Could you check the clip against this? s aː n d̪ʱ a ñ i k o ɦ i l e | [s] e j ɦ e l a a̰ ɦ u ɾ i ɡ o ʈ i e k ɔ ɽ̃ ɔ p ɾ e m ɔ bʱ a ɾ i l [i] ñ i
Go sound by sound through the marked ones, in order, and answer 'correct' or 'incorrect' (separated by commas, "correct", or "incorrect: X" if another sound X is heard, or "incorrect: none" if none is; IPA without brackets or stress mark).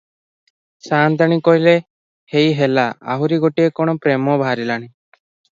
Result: incorrect: h, incorrect: a